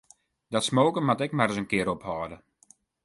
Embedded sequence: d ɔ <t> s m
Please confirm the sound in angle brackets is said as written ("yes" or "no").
yes